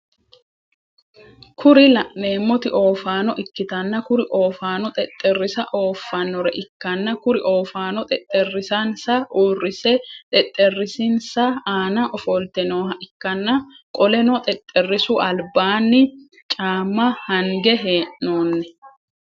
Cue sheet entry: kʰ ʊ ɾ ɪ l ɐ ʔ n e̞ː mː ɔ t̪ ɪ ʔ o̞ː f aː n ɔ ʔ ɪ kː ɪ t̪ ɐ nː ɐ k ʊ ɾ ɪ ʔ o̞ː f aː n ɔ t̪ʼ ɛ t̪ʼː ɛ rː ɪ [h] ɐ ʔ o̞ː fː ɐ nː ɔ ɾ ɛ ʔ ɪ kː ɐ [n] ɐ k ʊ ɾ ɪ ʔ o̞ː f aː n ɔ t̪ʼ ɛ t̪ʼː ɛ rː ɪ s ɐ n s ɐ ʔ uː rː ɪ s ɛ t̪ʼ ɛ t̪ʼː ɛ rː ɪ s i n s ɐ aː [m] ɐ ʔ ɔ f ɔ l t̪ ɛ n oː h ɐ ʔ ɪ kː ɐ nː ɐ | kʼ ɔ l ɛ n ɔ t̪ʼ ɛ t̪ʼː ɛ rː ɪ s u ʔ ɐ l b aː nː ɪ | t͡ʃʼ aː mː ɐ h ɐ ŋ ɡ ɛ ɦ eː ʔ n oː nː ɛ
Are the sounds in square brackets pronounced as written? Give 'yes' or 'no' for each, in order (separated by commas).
no, no, no